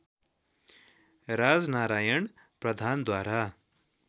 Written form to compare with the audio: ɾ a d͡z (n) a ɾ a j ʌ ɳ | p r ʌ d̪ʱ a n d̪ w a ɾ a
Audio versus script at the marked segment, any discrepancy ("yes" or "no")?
no